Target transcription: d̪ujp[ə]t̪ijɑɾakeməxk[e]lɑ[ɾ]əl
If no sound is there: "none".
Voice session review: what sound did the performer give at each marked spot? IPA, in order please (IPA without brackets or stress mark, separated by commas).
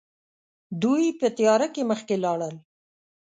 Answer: ə, e, ɽ